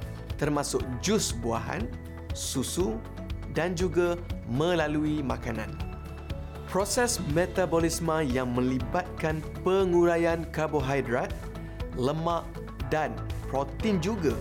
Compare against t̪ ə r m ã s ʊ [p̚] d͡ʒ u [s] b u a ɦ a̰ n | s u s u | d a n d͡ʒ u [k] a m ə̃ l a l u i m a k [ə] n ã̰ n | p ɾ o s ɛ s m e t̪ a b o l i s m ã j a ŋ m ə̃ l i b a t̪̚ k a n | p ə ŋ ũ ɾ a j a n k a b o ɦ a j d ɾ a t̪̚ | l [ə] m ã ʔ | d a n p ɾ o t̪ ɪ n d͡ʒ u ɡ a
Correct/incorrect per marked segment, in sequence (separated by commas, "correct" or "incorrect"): incorrect, correct, incorrect, incorrect, correct